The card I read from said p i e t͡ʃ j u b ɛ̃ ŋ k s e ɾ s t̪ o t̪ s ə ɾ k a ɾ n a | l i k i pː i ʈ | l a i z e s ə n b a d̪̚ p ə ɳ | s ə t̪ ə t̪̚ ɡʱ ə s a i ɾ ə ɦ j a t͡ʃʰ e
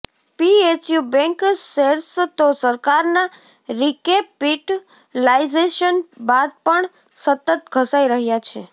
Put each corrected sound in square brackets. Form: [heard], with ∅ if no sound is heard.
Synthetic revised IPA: p i e t͡ʃ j u b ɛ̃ ŋ k s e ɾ s t̪ o [∅] s ə ɾ k a ɾ n a | [ɾ] i k [e] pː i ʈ | l a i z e [ʃ] ə n b a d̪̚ p ə ɳ | s ə t̪ ə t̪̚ ɡʱ ə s a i ɾ ə ɦ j a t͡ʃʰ e